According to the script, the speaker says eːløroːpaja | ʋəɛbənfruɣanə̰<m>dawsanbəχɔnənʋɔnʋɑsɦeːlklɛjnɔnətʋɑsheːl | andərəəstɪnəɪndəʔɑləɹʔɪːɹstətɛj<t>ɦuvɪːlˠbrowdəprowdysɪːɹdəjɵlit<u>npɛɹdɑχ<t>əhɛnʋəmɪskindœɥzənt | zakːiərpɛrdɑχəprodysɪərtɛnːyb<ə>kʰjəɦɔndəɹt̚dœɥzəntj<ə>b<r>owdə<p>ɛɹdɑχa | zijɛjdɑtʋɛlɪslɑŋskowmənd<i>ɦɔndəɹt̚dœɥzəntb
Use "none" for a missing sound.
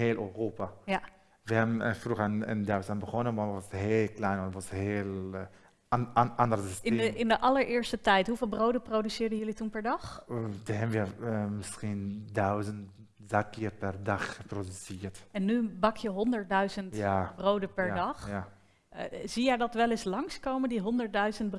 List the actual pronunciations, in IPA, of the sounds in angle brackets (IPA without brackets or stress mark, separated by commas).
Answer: n, t, u, d, ɑ, a, r, p, i